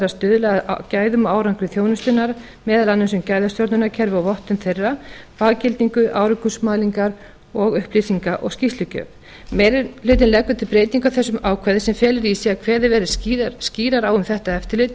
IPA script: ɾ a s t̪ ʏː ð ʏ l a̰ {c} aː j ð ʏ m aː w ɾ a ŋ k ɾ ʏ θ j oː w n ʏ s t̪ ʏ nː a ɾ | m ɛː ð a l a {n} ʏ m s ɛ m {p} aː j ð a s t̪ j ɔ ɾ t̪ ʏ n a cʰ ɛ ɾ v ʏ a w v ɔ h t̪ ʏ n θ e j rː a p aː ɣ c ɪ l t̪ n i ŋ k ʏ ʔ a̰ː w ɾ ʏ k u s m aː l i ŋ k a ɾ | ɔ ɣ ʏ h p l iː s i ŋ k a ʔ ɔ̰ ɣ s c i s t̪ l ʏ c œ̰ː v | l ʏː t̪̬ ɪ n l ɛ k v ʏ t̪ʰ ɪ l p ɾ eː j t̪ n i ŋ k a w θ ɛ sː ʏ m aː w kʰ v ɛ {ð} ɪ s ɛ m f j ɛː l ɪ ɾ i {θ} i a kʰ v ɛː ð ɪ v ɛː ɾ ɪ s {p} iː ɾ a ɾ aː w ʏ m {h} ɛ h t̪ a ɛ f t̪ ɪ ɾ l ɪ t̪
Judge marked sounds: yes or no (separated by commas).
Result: yes, no, no, yes, no, no, no